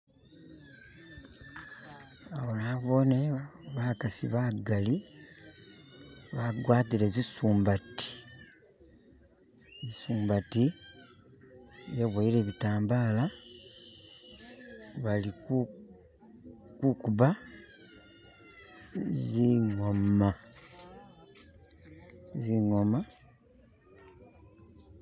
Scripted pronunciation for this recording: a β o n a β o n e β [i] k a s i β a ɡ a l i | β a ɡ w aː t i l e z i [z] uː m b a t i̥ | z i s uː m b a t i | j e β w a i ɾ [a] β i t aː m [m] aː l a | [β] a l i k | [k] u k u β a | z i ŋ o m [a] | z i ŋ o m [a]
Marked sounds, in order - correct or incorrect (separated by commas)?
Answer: incorrect, incorrect, incorrect, incorrect, correct, correct, correct, correct